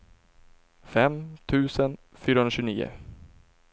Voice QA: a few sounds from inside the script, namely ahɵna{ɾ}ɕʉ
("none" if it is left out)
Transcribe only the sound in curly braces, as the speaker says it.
none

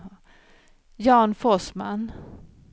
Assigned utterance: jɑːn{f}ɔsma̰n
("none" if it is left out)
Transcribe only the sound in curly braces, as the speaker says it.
f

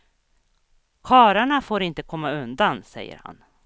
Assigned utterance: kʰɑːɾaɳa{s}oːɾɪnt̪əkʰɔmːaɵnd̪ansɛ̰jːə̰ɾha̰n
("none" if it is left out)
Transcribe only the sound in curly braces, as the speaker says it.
f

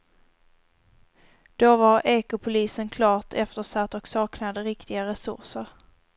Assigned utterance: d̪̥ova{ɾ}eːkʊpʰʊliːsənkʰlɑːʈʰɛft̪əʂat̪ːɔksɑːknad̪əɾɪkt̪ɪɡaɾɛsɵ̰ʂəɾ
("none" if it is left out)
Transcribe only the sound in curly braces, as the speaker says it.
ɾ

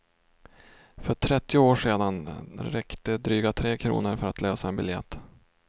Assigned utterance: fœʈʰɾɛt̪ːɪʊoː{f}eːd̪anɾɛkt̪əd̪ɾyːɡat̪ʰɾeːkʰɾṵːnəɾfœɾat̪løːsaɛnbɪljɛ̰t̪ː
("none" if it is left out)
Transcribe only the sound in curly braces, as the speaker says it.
ʂ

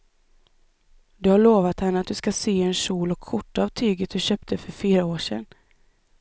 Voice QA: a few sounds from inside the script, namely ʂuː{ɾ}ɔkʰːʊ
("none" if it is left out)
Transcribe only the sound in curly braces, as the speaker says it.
l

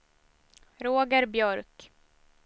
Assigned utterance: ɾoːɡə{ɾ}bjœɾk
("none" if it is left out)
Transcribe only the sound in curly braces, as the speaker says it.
ɾ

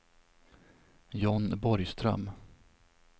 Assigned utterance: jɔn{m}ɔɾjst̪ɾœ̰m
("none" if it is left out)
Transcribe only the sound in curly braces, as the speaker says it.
b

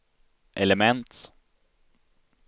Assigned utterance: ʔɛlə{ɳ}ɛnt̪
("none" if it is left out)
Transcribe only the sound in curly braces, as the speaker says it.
m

